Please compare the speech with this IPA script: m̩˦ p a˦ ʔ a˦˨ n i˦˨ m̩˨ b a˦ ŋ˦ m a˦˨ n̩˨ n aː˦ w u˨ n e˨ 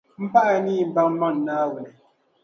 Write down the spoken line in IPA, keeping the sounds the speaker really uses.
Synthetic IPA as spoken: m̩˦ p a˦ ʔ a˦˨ n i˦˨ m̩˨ b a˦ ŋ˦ m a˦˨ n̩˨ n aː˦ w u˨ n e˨